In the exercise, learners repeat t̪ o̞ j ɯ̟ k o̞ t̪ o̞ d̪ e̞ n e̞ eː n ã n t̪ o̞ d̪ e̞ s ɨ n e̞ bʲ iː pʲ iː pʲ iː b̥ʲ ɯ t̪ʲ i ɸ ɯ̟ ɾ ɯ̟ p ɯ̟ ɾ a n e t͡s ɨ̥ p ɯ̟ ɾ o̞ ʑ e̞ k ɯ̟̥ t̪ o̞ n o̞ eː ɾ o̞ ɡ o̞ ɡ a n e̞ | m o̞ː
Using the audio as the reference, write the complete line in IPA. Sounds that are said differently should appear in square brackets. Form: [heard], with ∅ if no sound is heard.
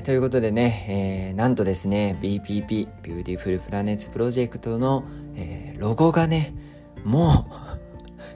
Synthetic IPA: t̪ o̞ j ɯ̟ k o̞ t̪ o̞ d̪ e̞ n e̞ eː n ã n t̪ o̞ d̪ e̞ s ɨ n e̞ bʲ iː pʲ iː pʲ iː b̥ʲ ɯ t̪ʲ i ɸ ɯ̟ ɾ ɯ̟ p ɯ̟ ɾ a n e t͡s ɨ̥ p ɯ̟ ɾ o̞ ʑ e̞ k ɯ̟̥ t̪ o̞ n o̞ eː ɾ o̞ ɡ o̞ ɡ a n e̞ | m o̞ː